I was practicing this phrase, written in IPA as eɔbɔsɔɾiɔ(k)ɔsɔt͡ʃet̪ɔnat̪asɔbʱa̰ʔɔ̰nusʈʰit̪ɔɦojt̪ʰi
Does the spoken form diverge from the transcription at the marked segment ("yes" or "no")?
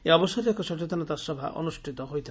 no